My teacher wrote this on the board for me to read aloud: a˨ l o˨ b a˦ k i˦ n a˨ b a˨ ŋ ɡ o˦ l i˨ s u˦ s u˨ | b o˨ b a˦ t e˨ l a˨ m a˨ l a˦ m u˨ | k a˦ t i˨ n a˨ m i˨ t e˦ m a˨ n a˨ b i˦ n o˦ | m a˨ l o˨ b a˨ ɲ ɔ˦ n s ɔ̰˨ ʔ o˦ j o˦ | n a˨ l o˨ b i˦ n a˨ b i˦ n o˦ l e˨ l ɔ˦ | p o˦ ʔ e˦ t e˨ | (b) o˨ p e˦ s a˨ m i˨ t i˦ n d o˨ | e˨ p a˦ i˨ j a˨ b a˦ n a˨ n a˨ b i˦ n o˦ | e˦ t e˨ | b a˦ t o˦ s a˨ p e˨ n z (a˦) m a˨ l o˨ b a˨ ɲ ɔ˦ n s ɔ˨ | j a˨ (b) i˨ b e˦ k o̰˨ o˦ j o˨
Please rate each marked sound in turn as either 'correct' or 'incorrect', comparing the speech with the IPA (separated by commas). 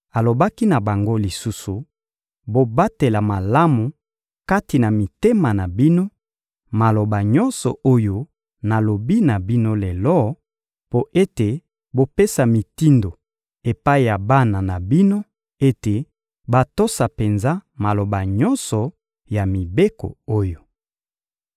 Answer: correct, correct, incorrect